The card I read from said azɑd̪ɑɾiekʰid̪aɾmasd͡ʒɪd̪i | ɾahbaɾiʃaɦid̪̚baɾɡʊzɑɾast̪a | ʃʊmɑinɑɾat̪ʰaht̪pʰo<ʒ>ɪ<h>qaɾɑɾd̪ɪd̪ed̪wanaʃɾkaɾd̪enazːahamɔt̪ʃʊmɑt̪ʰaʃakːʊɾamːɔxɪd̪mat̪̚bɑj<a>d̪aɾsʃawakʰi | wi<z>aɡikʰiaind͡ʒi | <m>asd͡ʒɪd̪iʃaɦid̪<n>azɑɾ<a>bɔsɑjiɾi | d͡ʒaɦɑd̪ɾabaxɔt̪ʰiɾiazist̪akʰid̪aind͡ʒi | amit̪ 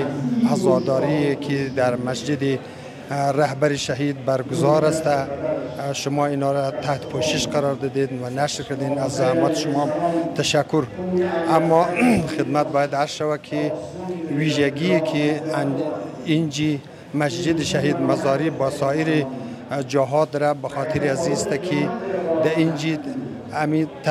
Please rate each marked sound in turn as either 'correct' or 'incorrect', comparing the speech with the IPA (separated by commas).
incorrect, incorrect, correct, incorrect, correct, incorrect, incorrect